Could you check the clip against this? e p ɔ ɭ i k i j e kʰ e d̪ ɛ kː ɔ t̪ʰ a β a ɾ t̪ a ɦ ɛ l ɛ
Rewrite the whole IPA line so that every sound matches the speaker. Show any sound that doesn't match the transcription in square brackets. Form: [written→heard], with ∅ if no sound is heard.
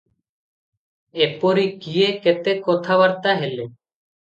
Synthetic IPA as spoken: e p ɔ [ɭ→ɾ] i k i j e [kʰ→k] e [d̪→t̪] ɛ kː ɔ t̪ʰ a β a ɾ t̪ a ɦ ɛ l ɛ

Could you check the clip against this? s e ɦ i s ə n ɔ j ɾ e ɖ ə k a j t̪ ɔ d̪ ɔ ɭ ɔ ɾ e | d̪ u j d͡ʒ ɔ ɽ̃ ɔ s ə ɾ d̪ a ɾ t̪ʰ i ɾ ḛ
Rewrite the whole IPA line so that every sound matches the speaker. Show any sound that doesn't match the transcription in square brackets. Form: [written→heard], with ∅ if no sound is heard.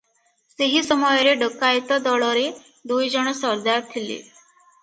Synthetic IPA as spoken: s e ɦ i s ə [n→m] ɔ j ɾ e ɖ ə k a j t̪ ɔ d̪ ɔ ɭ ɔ ɾ e | d̪ u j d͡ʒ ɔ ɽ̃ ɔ s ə ɾ d̪ a ɾ t̪ʰ i [ɾ→l] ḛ

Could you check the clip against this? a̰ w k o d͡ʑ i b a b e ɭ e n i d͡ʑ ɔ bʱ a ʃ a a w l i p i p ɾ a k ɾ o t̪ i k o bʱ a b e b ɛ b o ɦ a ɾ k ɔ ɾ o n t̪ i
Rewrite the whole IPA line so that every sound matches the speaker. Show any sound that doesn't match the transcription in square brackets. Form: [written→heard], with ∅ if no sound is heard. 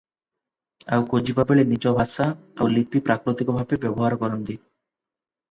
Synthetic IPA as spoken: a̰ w k o d͡ʑ i b a b e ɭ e n i d͡ʑ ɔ bʱ a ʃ a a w l i p i p ɾ a k ɾ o t̪ i k o bʱ a b e b ɛ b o ɦ a ɾ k ɔ ɾ o n [t̪→d̪] i

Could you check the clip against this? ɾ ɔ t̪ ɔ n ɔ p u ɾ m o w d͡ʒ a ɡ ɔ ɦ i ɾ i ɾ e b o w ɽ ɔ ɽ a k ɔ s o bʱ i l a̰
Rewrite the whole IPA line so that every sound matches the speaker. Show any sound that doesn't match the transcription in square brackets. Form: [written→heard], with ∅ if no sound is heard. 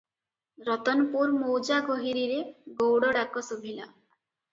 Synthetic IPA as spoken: ɾ ɔ t̪ ɔ n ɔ p u ɾ m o w d͡ʒ a ɡ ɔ ɦ i ɾ i ɾ e [b→ɡ] o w ɽ ɔ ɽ a k ɔ s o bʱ i l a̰

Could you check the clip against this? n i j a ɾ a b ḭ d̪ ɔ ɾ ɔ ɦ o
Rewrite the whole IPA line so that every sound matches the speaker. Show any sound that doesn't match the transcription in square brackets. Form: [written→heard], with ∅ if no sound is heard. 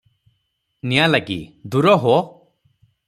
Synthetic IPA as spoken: n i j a [ɾ→l] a [b→ɡ] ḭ d̪ [ɔ→u] ɾ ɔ ɦ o

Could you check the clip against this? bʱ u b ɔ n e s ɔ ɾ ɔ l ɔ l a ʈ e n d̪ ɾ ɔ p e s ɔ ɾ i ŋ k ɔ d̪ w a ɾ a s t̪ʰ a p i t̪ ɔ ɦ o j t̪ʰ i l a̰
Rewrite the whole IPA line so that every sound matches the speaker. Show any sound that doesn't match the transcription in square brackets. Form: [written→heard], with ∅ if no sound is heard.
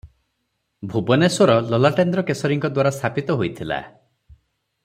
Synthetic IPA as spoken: bʱ u b ɔ n e s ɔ ɾ ɔ l ɔ l a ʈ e n d̪ ɾ ɔ [p→k] e s ɔ ɾ i ŋ k ɔ d̪ w a ɾ a s t̪ʰ a p i t̪ ɔ ɦ o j t̪ʰ i l a̰

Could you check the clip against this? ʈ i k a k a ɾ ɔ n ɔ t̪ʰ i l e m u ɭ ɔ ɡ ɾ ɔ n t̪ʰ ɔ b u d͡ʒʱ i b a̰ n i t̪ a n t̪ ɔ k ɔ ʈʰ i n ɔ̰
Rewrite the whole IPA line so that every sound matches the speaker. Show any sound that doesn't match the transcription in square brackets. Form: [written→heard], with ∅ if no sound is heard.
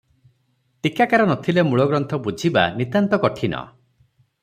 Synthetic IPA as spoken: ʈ i k a k a ɾ ɔ n ɔ t̪ʰ i l e m u ɭ ɔ ɡ ɾ ɔ n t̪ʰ ɔ b u d͡ʒʱ i b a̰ n i t̪ a n t̪ ɔ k ɔ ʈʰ i n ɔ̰

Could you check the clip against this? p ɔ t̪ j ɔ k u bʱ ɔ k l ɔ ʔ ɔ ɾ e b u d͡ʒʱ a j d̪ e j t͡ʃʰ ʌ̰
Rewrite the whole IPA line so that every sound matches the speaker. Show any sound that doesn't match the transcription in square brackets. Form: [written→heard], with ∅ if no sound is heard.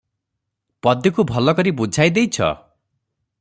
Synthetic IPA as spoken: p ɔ [t̪→d̪] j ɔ k u bʱ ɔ [k→∅] l ɔ [ʔ→k] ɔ ɾ [e→i] b u d͡ʒʱ a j d̪ e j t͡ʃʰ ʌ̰

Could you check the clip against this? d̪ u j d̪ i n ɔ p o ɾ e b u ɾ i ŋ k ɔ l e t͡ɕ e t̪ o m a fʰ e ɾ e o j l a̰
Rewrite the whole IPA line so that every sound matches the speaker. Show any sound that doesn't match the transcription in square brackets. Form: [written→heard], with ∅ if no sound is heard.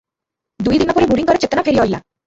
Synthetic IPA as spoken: d̪ u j d̪ i n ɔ p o ɾ e b u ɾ i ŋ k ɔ [l→ɾ] e t͡ɕ e t̪ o [m→n] a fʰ e ɾ [e→i] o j l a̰

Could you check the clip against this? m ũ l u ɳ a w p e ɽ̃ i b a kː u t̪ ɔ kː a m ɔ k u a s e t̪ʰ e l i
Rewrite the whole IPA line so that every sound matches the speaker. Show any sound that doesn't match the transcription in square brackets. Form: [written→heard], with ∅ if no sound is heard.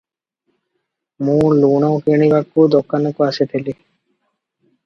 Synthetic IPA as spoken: m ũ l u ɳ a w [p→k] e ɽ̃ i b a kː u [t̪→d̪] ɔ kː a [m→n] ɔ k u a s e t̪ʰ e l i

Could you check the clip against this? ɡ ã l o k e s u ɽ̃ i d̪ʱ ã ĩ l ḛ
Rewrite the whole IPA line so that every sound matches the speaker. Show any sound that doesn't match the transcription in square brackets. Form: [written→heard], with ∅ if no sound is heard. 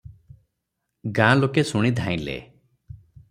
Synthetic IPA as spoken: ɡ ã l o k e s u ɽ̃ i d̪ʱ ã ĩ l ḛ

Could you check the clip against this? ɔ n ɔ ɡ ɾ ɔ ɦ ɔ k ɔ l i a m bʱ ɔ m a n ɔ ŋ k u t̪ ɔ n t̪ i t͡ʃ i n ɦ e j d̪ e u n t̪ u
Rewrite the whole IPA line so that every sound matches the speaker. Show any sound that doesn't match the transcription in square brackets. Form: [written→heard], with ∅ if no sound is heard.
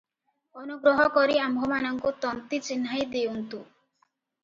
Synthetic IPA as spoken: ɔ n [ɔ→u] ɡ ɾ ɔ ɦ ɔ k ɔ [l→ɾ] i a m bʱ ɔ m a n ɔ ŋ k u t̪ ɔ n t̪ i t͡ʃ i n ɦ [e→a] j d̪ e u n t̪ u

